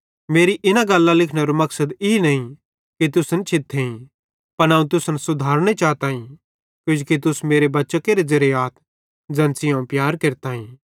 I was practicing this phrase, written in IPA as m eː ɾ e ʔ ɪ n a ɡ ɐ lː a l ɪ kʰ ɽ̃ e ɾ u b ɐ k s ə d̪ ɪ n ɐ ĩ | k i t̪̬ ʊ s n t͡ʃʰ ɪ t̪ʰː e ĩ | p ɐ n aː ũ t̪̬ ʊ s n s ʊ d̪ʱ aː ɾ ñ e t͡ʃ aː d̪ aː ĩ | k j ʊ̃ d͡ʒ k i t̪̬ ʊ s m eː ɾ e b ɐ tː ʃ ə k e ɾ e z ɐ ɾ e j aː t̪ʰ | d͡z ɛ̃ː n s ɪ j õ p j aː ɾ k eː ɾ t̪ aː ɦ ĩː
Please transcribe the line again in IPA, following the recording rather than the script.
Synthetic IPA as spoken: m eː ɾ i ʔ ɪ n a ɡ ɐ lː a l ɪ kʰ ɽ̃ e ɾ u m ɐ k s ə d̪ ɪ n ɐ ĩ | k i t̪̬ ʊ s n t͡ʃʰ ɪ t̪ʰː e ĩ | p ɐ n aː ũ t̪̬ ʊ s n s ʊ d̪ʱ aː ɾ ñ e t͡ʃ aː t̪ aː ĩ | k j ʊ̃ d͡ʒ k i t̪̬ ʊ s m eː ɾ e b ɐ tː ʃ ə k e ɾ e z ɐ ɾ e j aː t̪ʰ | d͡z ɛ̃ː n s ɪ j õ p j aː ɾ k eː ɾ t̪ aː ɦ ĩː